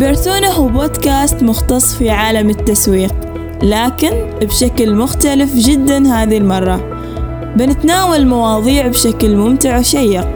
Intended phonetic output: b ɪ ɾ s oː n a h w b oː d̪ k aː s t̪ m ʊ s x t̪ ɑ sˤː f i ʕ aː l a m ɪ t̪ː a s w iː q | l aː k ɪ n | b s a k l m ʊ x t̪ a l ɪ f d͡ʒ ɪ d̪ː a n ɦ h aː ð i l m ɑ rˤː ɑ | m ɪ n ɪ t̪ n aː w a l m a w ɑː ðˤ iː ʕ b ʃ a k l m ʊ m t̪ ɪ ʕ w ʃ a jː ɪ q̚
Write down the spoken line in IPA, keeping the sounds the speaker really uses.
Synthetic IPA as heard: b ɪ ɾ s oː n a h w b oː d̪ k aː s t̪ m ʊ x t̪ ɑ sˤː f i ʕ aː l a m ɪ t̪ː a s w iː q | l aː k ɪ n | b ʃ a k l m ʊ x t̪ a l ɪ f d͡ʒ ɪ d̪ː a n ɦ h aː ð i l m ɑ rˤː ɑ | b ɪ n ɪ t̪ n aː w a l m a w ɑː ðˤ iː ʕ b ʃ a k l m ʊ m t̪ ɪ ʕ w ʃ a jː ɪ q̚